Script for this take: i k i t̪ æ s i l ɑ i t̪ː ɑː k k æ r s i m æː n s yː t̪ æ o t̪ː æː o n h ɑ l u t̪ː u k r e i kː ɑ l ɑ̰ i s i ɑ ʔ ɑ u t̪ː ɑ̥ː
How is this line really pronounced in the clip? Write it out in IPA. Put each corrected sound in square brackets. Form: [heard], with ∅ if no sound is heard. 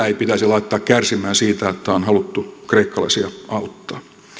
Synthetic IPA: i [p] i t̪ æ s i l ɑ i t̪ː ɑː k k æ r s i m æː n s [iː] t̪ æ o t̪ː [æ] o n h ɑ l u t̪ː u k r e i kː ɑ l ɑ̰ i s i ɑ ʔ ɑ u t̪ː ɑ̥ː